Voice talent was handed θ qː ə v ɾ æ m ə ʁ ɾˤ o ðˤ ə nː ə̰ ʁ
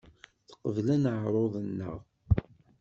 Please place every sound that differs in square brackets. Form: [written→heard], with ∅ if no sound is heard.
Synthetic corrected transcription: θ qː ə v [ɾ→l] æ [m→n] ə [ʁ→ʕ] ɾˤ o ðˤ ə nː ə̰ ʁ